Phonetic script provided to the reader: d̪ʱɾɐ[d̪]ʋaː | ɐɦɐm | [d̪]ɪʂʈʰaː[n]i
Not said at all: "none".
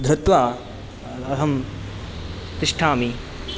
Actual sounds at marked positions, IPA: t̪, t̪, m

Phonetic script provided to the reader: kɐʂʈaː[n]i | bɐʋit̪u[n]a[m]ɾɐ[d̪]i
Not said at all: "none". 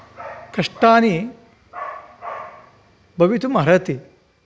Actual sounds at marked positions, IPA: n, m, none, t̪

